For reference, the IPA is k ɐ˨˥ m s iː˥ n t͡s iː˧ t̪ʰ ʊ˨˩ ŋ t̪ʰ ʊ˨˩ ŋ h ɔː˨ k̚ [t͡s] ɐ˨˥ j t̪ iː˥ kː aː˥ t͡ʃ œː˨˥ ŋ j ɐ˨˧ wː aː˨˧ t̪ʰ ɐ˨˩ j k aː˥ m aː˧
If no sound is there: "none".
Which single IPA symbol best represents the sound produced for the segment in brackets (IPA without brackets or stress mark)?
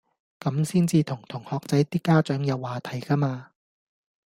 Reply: t͡s